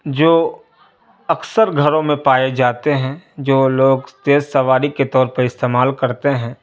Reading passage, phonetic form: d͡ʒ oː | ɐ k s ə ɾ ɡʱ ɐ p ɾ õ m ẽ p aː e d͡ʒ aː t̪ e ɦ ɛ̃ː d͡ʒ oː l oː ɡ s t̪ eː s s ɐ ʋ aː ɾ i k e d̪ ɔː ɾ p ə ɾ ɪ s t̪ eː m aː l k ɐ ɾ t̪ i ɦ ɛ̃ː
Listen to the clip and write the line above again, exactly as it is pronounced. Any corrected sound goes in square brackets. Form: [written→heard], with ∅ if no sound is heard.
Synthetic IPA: d͡ʒ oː | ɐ k s ə ɾ ɡʱ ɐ [p→∅] ɾ õ m ẽ p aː e d͡ʒ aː t̪ e ɦ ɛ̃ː d͡ʒ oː l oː ɡ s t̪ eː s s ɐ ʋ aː ɾ i k e [d̪→t̪] ɔː ɾ p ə ɾ ɪ s t̪ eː m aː l k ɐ ɾ t̪ [i→e] ɦ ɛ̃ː